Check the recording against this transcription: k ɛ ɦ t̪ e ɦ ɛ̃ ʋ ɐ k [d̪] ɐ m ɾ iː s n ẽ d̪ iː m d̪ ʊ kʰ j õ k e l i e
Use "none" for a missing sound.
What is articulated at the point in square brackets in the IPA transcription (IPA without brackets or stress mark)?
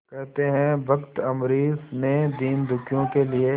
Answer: t̪